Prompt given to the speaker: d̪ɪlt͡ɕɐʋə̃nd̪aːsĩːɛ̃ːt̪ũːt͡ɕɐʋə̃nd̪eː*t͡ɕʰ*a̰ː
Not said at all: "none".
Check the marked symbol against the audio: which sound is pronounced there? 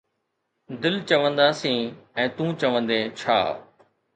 t͡ɕʰ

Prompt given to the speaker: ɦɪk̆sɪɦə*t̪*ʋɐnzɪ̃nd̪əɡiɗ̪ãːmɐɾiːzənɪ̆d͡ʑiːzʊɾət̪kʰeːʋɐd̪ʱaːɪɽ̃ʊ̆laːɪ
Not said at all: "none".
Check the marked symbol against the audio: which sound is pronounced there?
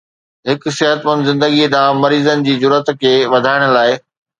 t̪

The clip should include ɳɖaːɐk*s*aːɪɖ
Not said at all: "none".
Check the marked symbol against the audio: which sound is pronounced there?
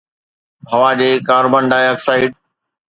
s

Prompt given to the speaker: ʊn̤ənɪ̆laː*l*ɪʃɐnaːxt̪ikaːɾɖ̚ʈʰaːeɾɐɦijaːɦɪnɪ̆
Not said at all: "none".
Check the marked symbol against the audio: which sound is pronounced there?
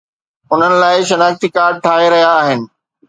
none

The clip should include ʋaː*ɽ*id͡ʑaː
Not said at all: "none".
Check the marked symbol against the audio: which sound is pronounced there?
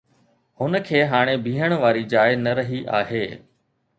ɾ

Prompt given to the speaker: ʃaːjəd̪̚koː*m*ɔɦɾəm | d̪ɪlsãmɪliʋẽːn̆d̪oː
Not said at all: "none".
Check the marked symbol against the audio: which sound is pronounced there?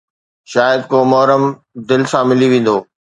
m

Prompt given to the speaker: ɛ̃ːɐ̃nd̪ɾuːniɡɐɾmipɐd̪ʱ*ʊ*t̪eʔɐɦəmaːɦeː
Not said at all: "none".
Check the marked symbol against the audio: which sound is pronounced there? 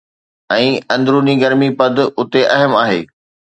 ʊ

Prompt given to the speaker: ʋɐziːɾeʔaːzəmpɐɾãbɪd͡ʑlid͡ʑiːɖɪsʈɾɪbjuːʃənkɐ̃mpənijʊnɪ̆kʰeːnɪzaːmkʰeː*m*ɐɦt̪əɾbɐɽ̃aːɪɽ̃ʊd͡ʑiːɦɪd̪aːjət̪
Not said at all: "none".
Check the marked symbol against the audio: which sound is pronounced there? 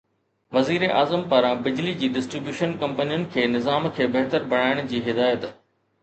b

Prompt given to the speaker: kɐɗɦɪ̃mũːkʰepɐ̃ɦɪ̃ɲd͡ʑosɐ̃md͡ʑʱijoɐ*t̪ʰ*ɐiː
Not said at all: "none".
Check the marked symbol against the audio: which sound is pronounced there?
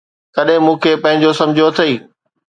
t̪ʰ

